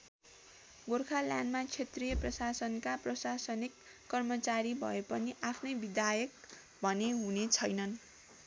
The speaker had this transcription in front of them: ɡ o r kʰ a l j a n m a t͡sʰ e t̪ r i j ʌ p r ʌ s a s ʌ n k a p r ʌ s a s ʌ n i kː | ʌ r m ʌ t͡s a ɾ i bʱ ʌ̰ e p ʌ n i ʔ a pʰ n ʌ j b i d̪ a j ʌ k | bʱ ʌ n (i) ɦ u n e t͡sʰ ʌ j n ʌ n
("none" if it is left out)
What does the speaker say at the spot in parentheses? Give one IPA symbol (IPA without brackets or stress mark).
e